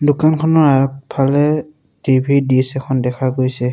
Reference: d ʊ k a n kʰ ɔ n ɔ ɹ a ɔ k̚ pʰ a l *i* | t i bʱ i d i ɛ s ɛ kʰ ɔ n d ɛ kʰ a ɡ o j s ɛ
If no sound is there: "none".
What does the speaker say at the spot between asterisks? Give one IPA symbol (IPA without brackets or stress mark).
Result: ɛ